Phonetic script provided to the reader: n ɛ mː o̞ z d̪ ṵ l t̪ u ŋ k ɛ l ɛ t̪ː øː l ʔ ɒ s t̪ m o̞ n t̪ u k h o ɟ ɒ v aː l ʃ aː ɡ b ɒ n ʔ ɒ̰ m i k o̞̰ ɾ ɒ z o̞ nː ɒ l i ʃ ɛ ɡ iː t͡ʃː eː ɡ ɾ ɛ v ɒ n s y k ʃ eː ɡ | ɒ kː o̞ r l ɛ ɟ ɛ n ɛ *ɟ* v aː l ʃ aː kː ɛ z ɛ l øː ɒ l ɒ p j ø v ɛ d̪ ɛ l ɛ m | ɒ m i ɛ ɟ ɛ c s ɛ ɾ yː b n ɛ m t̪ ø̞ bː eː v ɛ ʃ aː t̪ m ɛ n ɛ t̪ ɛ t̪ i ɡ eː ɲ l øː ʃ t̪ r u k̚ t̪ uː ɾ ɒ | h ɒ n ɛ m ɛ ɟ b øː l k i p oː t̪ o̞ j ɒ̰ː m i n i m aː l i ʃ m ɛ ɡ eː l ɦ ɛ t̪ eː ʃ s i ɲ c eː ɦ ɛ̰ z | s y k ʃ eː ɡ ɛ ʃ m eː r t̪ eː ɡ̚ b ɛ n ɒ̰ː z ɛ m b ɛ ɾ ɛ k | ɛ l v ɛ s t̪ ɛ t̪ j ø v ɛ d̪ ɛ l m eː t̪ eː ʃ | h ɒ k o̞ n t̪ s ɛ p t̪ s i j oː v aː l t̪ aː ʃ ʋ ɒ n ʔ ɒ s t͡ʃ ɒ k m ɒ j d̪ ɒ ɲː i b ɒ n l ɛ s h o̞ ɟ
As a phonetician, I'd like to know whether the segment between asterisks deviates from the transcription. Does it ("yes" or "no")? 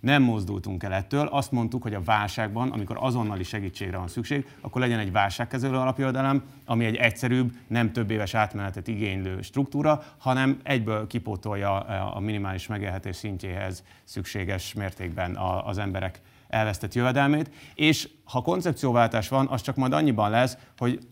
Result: no